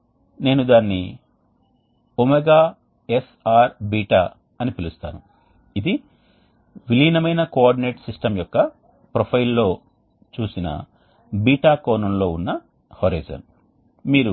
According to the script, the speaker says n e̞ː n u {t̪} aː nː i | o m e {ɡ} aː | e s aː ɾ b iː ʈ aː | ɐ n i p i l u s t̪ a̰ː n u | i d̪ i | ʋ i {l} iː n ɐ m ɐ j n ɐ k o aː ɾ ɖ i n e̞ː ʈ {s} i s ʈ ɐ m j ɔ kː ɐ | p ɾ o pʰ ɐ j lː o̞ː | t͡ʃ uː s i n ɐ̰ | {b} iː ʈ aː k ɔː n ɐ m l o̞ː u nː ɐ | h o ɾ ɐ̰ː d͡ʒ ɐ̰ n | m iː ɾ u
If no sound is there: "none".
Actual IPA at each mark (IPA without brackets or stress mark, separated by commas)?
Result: d̪, ɡ, l, s, b